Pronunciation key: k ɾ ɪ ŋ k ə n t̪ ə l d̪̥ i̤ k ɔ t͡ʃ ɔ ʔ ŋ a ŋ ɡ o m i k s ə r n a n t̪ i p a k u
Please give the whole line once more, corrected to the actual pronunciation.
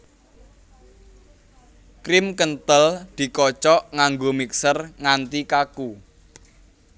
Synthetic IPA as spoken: k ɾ ɪ m k ə n t̪ ə l d̪̥ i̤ k ɔ t͡ʃ ɔ ʔ ŋ a ŋ ɡ o m i k s ə r ŋ a n t̪ i k a k u

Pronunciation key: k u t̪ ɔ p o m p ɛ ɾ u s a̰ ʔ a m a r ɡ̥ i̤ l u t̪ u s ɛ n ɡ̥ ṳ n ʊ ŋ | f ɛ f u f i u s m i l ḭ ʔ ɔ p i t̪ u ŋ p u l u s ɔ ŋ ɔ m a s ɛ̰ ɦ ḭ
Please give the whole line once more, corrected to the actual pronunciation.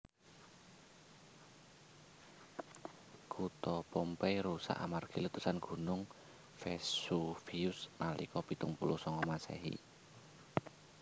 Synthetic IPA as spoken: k u t̪ ɔ p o m p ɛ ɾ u s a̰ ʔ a m a r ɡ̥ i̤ l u t̪ u s a n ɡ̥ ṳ n ʊ ŋ | f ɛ s u f i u s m a l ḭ k ɔ p i t̪ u ŋ p u l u s ɔ ŋ ɔ m a s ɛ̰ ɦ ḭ

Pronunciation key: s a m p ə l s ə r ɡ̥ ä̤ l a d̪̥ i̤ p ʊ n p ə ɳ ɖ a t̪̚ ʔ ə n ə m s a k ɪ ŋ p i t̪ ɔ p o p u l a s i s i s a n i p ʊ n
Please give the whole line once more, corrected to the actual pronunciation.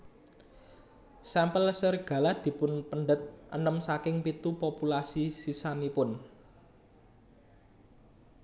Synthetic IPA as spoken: s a m p ə l s ə r ɡ̥ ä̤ l a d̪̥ i̤ p ʊ n p ə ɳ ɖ ə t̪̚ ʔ ə n ə m s a k ɪ ŋ p i t̪ u p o p u l a s i s i s a n i p ʊ n

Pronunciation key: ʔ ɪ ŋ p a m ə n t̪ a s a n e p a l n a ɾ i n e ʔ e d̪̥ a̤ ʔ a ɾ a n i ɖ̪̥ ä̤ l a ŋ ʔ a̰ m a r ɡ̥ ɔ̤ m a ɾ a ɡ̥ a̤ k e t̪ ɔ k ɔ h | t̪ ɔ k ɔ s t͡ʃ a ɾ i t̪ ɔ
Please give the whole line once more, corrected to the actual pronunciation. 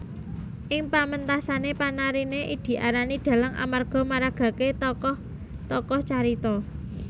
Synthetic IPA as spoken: ʔ ɪ ŋ p a m ə n t̪ a s a n e p a n a ɾ i n e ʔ i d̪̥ i̤ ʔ a ɾ a n i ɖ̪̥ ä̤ l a ŋ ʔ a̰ m a r ɡ̥ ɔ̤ m a ɾ a ɡ̥ a̤ k e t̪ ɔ k ɔ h | t̪ ɔ k ɔ h t͡ʃ a ɾ i t̪ ɔ

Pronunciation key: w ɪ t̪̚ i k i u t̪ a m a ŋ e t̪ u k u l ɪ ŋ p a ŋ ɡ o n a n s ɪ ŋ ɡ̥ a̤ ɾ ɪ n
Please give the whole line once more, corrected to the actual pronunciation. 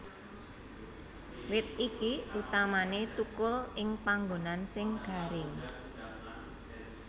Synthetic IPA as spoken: w ɪ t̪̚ i k i u t̪ a m a n e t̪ u k ʊ l ɪ ŋ p a ŋ ɡ o n a n s ɪ ŋ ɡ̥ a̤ ɾ ɪ ŋ

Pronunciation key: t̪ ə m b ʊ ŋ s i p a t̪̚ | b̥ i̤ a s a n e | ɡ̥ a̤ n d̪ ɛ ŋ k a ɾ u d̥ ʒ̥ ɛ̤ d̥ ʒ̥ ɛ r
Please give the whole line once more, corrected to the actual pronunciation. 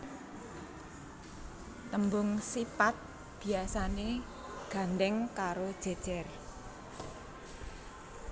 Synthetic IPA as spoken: t̪ ə m b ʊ ŋ s i p a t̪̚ | b̥ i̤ a s a n e | ɡ̥ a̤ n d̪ ɛ ŋ k a ɾ o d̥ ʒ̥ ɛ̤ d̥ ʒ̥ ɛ r

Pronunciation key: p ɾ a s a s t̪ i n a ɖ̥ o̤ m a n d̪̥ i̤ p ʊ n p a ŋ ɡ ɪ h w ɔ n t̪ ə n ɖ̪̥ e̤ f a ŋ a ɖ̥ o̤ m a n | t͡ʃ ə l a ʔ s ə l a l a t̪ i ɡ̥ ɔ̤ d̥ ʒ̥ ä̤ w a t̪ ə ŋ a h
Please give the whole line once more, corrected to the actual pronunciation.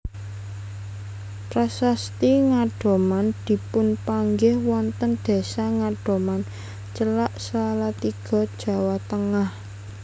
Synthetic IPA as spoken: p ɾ a s a s t̪ i ŋ a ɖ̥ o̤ m a n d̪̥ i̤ p ʊ n p a ŋ ɡ ɪ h w ɔ n t̪ ə n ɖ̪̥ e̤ s a ŋ a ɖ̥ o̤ m a n | t͡ʃ ə l a ʔ s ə l a l a t̪ i ɡ̥ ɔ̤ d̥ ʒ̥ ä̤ w a t̪ ə ŋ a h

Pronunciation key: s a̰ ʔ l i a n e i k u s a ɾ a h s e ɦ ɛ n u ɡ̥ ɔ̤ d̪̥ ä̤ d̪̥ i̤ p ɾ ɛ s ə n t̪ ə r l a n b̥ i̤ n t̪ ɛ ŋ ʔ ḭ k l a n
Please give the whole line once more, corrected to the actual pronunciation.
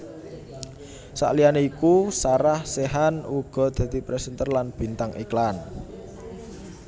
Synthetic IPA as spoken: s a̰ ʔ l i a n e i k u s a ɾ a h s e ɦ a n u ɡ̥ ɔ̤ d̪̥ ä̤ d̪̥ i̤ p ɾ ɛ s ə n t̪ ə r l a n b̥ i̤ n t̪ a ŋ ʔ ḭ k l a n

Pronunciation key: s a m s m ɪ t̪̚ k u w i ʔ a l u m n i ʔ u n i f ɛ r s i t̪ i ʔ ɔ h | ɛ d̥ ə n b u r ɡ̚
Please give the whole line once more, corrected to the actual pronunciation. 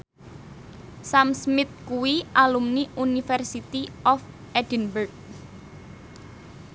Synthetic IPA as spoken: s a m s m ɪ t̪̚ k u w i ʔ a l u m n i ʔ u n i f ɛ r s i t̪ i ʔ ɔ f | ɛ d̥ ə n b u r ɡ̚

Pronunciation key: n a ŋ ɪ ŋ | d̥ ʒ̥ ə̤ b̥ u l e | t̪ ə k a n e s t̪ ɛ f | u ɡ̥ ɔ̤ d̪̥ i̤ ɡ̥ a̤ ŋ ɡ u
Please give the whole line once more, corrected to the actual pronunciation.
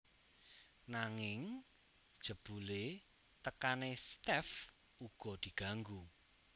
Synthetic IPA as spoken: n a ŋ ɪ ŋ | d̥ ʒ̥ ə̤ b̥ u l e | t̪ ə k a n e s t̪ ɛ f | u ɡ̥ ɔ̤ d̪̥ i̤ ɡ̥ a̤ ŋ ɡ u

